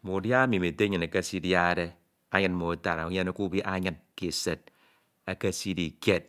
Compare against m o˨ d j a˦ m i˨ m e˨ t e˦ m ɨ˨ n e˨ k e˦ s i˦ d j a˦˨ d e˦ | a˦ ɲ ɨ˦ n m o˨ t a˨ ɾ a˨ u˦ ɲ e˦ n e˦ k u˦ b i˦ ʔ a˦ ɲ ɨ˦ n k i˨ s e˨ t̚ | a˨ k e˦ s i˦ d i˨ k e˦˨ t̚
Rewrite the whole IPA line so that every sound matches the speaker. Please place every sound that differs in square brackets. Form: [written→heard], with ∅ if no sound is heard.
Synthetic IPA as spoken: m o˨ d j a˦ m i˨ m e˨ t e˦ [m→ɲ] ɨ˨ n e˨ k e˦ s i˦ d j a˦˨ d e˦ | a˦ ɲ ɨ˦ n m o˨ t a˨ ɾ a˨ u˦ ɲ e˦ n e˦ k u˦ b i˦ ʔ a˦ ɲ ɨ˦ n k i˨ s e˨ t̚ | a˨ k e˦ s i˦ d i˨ k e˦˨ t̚